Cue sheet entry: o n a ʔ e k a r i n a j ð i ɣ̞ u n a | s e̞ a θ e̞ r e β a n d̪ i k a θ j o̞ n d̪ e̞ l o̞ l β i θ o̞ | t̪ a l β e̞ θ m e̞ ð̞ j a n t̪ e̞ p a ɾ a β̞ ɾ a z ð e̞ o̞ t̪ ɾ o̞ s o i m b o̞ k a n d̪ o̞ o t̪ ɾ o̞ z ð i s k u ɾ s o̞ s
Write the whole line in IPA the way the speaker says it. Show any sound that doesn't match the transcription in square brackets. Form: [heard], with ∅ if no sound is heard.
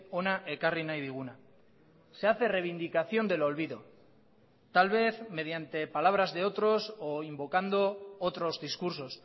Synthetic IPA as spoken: o n a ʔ e k a r i n a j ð i ɣ̞ u n a | s e̞ a θ e̞ r e β [i] n d̪ i k a θ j o̞ n d̪ e̞ l o̞ l β i [ð] o̞ | t̪ a l β e̞ θ m e̞ ð̞ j a n t̪ e̞ p a [l] a β̞ ɾ a z ð e̞ o̞ t̪ ɾ o̞ s o i m b o̞ k a n d̪ o̞ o t̪ ɾ o̞ z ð i s k u ɾ s o̞ s